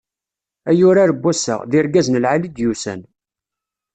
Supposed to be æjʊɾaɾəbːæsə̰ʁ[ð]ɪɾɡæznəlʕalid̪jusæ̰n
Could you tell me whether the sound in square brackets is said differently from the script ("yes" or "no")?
no